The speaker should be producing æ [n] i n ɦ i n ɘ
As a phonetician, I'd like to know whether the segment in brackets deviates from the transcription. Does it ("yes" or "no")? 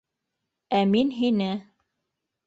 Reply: yes